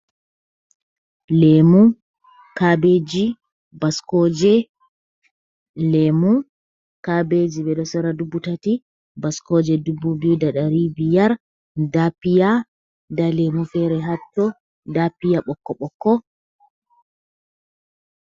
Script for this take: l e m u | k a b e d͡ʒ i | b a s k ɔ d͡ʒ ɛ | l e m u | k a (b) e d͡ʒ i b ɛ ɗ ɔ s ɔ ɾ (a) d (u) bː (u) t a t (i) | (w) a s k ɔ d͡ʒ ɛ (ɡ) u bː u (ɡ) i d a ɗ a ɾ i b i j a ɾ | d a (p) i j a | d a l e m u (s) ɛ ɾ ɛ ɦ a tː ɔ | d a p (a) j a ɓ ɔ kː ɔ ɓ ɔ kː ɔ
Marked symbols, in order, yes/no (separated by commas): yes, yes, yes, yes, yes, no, no, no, yes, no, no